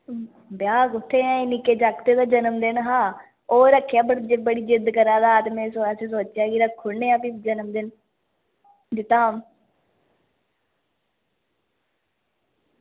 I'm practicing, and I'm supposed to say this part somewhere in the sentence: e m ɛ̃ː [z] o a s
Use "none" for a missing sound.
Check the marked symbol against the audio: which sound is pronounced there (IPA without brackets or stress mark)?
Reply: s